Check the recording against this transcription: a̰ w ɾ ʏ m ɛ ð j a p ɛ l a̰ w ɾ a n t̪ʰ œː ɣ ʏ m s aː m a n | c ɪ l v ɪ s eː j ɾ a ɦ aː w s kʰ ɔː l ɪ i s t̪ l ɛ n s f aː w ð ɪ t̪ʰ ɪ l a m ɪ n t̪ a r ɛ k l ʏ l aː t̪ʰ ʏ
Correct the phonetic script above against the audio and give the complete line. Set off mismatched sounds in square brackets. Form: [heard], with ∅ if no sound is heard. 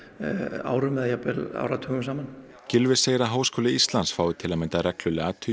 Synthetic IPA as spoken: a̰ w ɾ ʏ m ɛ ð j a p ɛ l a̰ w ɾ a [∅] t̪ʰ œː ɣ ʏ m s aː m a n | c ɪ l v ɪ s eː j ɾ a ɦ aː w s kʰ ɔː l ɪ i s t̪ l [a] n s f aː w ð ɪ t̪ʰ ɪ l a m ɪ n t̪ a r ɛ k l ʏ l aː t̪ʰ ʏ